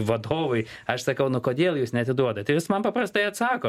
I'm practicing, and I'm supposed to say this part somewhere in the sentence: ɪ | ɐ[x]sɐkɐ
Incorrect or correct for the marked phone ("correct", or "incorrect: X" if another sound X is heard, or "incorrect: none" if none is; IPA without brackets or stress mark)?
incorrect: ʃ